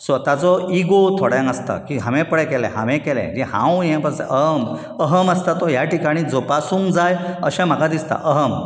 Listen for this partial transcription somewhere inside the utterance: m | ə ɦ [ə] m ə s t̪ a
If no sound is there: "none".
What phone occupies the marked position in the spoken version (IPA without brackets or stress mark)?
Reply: ə